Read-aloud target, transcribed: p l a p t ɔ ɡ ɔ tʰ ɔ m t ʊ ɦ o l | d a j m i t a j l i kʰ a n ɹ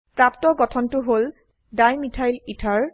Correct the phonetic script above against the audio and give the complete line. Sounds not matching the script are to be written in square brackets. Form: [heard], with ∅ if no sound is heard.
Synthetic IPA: p [ɹ] a p t ɔ ɡ ɔ tʰ ɔ [n] t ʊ ɦ o l | d a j m i [tʰ] a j l i [tʰ] a [∅] ɹ